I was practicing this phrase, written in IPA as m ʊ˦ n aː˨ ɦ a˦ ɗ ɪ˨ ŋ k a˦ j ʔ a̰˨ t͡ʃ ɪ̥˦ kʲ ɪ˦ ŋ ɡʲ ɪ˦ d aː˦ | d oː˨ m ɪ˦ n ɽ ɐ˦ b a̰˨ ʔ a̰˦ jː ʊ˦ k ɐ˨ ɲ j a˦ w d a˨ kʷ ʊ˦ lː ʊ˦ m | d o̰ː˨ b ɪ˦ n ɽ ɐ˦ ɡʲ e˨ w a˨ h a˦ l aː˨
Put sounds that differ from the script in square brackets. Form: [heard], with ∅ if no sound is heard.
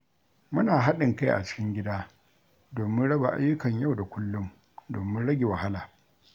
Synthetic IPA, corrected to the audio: m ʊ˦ n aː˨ ɦ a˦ ɗ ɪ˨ ŋ k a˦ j ʔ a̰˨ t͡ʃ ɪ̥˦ kʲ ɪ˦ ŋ ɡʲ ɪ˦ d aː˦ | d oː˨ m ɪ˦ n ɽ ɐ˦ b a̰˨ ʔ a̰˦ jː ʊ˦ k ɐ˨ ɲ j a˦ w d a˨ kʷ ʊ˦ lː ʊ˦ m | d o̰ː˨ [m] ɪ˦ n ɽ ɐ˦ ɡʲ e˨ w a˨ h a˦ l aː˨